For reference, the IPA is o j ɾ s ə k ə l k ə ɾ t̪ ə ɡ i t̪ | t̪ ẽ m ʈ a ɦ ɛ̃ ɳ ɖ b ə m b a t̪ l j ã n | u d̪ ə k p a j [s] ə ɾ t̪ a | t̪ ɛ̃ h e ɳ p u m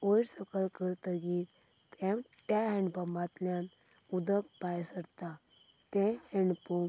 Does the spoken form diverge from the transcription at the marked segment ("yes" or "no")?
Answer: no